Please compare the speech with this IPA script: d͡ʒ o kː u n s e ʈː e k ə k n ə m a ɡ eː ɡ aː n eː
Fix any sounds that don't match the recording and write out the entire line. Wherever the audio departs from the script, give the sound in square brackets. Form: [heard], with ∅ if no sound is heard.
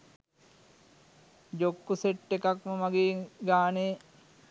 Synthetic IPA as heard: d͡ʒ o kː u [∅] s e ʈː e k [a] k [m] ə m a ɡ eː ɡ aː n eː